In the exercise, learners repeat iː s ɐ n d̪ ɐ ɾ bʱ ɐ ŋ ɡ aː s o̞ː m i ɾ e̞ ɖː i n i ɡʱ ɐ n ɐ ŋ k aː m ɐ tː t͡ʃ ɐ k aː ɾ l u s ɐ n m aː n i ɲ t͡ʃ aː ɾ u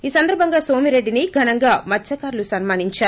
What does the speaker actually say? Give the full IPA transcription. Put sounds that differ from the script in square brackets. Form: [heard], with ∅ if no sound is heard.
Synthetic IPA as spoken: iː s ɐ n d̪ ɐ ɾ bʱ ɐ ŋ ɡ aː s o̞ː m i ɾ e̞ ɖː i n i ɡʱ ɐ n ɐ ŋ [ɡ] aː m ɐ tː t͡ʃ ɐ k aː ɾ l u s ɐ n m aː n i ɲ t͡ʃ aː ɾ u